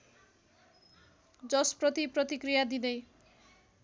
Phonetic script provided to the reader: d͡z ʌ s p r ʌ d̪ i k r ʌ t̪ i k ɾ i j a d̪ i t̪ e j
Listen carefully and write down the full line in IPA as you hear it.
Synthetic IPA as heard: d͡z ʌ s p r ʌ t̪ i p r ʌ t̪ i k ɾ i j a d̪ i d̪ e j